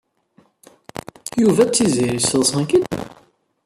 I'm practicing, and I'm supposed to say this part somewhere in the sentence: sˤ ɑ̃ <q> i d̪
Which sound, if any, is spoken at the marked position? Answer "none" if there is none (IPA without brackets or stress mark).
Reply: k